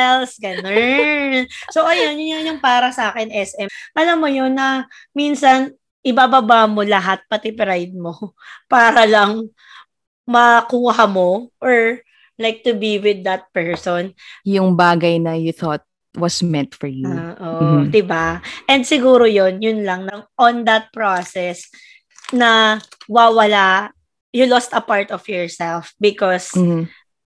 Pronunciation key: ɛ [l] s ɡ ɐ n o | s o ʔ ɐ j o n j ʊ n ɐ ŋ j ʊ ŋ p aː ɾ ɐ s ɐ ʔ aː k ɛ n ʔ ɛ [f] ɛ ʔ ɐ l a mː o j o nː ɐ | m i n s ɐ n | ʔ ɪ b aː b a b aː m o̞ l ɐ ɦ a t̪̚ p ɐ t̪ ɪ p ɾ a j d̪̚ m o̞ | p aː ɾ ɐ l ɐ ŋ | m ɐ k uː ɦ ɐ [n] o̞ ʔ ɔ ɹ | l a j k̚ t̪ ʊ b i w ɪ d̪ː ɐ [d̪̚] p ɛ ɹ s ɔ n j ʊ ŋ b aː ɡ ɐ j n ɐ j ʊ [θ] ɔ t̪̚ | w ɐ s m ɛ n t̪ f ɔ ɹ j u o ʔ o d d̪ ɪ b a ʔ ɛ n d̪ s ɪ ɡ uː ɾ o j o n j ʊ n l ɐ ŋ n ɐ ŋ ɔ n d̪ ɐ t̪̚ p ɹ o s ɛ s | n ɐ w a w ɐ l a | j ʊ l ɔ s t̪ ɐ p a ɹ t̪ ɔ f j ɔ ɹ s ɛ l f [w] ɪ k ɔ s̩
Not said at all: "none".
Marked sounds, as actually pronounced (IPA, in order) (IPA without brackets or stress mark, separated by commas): l, s, m, t̪̚, θ, b